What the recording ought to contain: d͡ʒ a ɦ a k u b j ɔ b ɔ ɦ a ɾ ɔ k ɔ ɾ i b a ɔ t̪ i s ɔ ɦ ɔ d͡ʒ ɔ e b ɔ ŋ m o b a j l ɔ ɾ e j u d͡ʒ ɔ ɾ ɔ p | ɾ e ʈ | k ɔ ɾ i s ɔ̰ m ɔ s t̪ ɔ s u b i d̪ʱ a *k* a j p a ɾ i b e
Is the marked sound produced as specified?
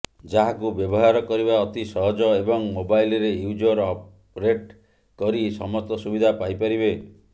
no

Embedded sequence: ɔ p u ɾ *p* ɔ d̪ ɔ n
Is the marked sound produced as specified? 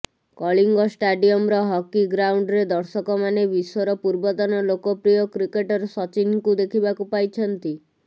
no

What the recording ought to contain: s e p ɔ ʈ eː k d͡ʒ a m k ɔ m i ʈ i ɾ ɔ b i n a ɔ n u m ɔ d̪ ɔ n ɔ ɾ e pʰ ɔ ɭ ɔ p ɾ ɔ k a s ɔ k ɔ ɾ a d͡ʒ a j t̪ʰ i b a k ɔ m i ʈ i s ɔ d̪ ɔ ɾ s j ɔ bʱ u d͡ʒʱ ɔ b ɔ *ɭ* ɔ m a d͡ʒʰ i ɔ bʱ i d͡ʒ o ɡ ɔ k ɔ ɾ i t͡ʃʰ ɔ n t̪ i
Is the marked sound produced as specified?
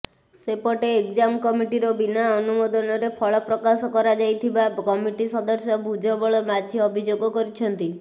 yes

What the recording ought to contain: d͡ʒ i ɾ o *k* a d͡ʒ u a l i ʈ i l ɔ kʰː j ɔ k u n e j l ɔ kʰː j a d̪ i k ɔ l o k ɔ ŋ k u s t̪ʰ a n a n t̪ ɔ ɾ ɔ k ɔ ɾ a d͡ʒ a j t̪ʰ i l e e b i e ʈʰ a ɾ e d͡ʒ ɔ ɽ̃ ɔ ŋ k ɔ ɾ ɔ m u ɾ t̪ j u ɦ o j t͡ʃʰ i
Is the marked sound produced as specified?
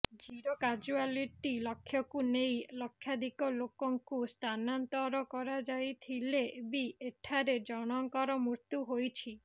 yes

